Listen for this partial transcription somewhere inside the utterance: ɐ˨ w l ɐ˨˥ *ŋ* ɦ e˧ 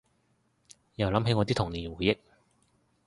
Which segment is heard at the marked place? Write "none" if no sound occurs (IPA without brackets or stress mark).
m